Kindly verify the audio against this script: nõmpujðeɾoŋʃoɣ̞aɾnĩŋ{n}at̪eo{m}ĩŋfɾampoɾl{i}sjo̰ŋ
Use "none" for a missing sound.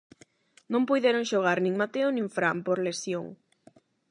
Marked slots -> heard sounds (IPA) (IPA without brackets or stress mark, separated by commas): m, n, e